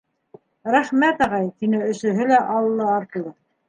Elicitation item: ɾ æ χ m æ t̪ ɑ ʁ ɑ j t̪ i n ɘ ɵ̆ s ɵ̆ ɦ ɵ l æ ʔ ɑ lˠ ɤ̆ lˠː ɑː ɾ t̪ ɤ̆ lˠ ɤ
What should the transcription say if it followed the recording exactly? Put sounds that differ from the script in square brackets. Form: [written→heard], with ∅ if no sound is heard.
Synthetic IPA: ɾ æ χ m æ t̪ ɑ ʁ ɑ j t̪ i n ɘ ɵ̆ s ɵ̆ ɦ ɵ l æ ʔ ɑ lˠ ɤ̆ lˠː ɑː ɾ t̪ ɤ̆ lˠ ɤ